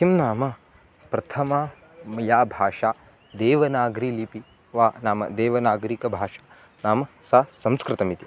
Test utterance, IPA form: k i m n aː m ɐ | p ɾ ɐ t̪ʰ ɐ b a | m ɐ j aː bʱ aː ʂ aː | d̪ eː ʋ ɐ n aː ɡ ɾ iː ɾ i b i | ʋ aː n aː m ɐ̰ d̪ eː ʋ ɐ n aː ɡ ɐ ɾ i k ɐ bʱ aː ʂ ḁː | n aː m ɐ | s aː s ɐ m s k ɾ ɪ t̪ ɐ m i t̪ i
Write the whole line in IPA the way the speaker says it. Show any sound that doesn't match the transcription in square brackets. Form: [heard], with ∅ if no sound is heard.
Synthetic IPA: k i m n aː m ɐ | p ɾ ɐ t̪ʰ ɐ [m] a | m ɐ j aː bʱ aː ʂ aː | d̪ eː ʋ ɐ n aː ɡ ɾ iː [l] i [p] i | ʋ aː n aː m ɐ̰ d̪ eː ʋ ɐ n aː ɡ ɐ ɾ i k ɐ bʱ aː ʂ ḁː | n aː m ɐ | s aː s ɐ m s k ɾ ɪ t̪ ɐ m i t̪ i